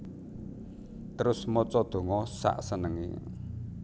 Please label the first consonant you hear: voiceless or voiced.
voiceless